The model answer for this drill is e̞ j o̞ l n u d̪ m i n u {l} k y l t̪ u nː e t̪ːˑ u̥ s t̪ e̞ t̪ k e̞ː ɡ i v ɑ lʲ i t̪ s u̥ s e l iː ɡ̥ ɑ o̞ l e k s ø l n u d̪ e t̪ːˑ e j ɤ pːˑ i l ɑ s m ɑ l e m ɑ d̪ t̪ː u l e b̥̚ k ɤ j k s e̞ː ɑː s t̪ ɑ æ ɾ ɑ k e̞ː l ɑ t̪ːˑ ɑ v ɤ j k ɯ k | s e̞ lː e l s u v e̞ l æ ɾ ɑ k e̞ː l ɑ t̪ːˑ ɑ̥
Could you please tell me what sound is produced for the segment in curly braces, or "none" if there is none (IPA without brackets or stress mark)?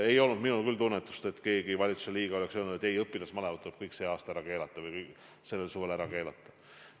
l